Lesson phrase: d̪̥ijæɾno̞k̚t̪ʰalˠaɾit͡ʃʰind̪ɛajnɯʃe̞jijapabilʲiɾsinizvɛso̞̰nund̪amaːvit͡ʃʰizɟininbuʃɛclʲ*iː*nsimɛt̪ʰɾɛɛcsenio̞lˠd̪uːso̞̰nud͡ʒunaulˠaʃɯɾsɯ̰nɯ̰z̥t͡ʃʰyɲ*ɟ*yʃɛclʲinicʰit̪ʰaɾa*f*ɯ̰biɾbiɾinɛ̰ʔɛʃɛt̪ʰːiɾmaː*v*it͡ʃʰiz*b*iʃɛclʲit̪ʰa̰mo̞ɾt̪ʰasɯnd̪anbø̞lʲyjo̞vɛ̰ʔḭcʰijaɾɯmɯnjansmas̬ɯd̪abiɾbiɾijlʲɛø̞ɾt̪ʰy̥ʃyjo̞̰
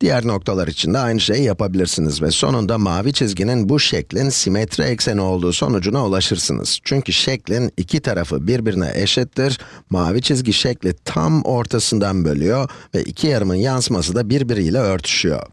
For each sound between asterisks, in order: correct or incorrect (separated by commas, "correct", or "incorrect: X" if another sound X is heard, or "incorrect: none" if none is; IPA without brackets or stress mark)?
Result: incorrect: i, incorrect: c, correct, correct, incorrect: ɟ